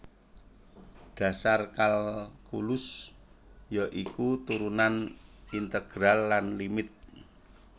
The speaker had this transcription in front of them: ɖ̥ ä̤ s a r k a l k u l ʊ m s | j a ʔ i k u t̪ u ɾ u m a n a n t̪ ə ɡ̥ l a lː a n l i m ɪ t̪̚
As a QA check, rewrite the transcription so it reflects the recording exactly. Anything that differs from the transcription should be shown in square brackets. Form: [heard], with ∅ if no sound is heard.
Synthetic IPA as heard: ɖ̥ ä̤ s a r k a l k u l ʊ [∅] s | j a ʔ i k u t̪ u ɾ u [n] a n [i] n t̪ ə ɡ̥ [ɾ] a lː a n l i m ɪ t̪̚